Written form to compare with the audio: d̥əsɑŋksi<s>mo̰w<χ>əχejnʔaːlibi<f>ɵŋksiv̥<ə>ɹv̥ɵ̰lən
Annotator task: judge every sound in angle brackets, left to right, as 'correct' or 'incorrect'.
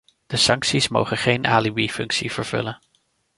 correct, correct, correct, correct

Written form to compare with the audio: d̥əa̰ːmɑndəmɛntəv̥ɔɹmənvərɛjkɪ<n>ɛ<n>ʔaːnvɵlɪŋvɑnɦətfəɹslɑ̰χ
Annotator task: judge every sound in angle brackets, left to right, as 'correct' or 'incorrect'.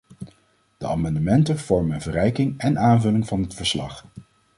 incorrect: ŋ, correct

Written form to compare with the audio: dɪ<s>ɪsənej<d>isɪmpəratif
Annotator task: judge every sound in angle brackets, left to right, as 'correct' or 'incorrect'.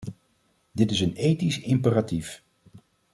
incorrect: t, incorrect: t

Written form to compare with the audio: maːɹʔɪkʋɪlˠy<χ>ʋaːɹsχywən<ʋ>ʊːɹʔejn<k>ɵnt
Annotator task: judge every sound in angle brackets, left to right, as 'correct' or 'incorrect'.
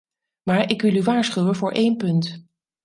incorrect: none, incorrect: v, incorrect: p

